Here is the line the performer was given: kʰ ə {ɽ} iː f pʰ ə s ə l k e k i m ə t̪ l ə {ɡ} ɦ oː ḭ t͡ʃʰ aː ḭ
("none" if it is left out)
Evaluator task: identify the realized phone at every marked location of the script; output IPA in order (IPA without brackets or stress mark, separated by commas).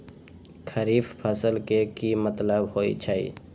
ɾ, b